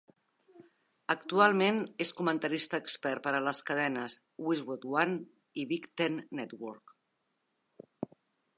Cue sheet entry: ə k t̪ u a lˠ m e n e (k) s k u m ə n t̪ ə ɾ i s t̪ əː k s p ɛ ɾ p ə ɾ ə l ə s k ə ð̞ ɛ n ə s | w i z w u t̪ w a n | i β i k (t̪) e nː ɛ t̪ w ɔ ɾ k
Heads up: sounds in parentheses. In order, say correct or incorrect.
incorrect: none, correct

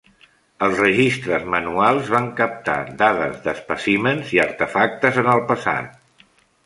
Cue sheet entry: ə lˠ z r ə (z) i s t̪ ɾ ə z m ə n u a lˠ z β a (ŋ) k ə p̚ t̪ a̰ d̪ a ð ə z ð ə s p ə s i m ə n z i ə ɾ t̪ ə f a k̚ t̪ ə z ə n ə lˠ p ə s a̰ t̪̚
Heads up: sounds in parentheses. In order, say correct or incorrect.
incorrect: ʒ, correct

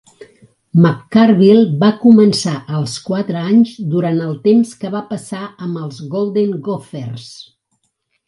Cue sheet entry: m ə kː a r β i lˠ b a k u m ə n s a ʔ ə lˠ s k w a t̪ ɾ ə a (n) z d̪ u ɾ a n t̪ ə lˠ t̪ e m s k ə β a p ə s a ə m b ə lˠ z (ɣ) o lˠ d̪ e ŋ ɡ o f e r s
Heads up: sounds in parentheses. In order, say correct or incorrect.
incorrect: ɲ, correct

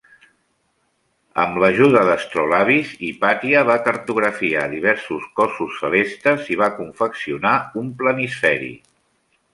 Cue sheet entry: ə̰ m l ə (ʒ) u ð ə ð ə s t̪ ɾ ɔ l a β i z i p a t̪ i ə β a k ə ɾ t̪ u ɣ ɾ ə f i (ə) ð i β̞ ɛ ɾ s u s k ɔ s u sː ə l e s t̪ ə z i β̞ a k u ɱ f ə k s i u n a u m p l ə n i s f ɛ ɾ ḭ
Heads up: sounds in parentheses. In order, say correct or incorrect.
correct, incorrect: a

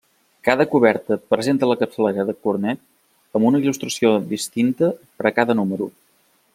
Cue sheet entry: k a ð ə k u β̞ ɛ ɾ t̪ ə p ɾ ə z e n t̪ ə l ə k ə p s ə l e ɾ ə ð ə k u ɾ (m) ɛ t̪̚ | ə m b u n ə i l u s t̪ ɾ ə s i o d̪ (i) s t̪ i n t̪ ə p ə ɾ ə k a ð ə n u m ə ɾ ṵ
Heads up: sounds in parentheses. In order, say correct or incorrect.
incorrect: n, correct

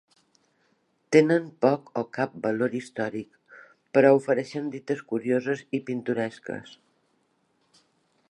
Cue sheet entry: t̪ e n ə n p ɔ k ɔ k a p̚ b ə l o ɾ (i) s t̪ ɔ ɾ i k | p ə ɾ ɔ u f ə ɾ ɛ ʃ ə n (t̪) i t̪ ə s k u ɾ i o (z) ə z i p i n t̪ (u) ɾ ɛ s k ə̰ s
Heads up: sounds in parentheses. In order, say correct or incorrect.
correct, incorrect: d̪, correct, correct

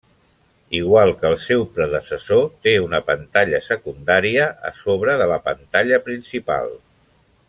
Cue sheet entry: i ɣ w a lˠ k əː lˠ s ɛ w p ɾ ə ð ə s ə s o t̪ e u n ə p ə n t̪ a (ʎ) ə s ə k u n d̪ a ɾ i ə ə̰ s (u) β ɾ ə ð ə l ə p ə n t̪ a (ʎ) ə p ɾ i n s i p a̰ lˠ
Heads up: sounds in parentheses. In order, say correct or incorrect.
correct, incorrect: o, correct

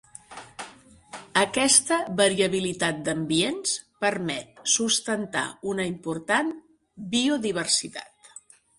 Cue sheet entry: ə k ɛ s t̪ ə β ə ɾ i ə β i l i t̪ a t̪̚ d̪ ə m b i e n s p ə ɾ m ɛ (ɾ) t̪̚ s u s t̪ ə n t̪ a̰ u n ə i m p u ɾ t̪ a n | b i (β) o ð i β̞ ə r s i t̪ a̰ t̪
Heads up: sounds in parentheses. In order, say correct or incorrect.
incorrect: none, incorrect: none

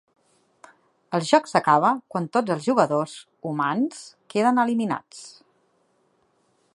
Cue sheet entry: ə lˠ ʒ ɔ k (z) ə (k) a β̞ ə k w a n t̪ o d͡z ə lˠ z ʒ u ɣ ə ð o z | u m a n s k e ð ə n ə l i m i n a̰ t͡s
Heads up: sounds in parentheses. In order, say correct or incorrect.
incorrect: s, correct

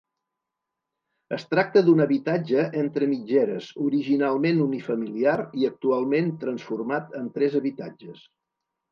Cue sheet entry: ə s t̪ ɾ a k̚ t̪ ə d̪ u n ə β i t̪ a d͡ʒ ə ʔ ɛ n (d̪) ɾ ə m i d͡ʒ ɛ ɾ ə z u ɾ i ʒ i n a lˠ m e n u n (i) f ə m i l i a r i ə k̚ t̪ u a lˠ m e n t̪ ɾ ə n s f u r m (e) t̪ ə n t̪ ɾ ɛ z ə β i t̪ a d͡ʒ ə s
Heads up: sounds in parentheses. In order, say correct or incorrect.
incorrect: t̪, correct, incorrect: a

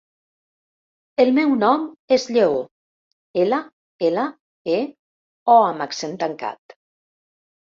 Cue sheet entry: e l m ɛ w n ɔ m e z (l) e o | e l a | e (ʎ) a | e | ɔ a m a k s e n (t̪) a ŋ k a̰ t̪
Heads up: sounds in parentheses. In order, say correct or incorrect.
incorrect: ʎ, incorrect: l, correct

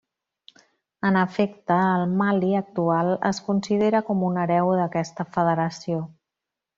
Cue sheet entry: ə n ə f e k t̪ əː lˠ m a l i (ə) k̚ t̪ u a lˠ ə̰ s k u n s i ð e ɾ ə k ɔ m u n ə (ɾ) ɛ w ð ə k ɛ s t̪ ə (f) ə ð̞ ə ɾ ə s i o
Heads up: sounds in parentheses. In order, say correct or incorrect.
correct, correct, correct

